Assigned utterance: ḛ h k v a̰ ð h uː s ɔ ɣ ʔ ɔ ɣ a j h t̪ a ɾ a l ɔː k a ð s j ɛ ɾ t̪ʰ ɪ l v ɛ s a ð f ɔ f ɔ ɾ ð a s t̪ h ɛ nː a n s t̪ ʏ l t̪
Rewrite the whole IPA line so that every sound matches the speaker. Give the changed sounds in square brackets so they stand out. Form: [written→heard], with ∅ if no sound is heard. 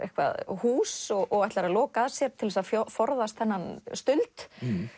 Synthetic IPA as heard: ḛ h k v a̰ ð h uː s ɔ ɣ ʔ ɔ ɣ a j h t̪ a ɾ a l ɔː k a ð s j ɛ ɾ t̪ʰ ɪ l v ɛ s a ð f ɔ f ɔ ɾ ð a s t̪ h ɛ nː a n s t̪ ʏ l t̪